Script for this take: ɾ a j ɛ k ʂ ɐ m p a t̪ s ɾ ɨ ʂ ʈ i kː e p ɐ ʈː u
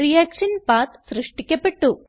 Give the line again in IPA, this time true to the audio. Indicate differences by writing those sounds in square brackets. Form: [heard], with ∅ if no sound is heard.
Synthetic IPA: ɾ [i] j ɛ k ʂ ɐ [n] p a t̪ s ɾ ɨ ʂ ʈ i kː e p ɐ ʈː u